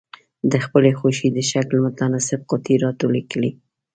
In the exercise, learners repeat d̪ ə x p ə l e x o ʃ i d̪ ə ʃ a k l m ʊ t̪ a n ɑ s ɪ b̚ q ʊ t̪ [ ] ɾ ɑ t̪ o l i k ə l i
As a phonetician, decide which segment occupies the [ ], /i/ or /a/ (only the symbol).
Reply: i